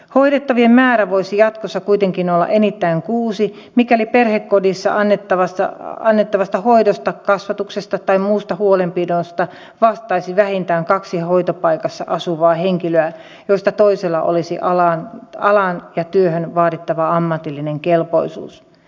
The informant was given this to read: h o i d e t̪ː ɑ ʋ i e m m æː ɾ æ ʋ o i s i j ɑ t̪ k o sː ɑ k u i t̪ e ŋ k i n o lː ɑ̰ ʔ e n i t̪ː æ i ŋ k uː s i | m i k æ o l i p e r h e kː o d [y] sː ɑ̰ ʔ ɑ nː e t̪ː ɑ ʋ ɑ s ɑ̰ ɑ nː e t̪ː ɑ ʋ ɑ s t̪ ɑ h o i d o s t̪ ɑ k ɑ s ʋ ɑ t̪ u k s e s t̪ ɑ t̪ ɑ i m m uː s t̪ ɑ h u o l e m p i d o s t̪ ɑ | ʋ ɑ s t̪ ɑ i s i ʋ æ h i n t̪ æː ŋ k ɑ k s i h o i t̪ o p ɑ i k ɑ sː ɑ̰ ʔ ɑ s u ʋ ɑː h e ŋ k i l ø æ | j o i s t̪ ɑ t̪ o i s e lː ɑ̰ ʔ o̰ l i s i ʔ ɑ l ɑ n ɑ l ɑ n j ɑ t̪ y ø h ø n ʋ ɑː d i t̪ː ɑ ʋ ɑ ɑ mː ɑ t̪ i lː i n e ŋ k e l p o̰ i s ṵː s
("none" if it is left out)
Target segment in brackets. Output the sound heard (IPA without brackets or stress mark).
i